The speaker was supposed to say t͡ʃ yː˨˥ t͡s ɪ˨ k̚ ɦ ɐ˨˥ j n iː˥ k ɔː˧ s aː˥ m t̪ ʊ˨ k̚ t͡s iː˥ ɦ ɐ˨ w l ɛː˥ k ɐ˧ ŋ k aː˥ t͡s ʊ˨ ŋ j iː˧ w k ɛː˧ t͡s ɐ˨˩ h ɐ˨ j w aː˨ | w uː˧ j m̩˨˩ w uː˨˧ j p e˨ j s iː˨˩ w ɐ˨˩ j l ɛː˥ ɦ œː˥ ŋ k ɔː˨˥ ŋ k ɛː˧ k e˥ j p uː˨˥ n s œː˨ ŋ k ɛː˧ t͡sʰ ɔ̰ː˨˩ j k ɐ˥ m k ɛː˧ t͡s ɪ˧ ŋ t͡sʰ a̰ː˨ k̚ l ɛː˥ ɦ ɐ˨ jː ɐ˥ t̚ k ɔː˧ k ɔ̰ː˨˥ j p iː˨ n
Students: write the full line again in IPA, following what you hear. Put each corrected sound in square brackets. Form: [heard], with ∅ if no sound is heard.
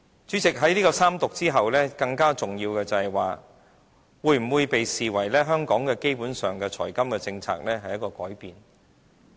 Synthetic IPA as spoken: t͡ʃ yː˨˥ t͡s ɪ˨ k̚ ɦ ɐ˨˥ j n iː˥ k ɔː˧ s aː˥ m t̪ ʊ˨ k̚ t͡s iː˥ ɦ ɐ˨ w l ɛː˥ k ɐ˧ ŋ k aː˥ t͡s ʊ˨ ŋ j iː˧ w k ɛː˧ t͡s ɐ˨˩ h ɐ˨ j w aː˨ | w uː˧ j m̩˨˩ w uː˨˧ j p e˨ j s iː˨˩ w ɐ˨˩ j l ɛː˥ ɦ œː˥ ŋ k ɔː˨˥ ŋ k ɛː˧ k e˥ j p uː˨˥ n s œː˨ ŋ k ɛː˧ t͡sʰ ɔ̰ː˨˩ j k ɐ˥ m k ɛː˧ t͡s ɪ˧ ŋ t͡sʰ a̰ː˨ k̚ l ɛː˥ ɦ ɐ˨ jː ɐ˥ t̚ k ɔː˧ k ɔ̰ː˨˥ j p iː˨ n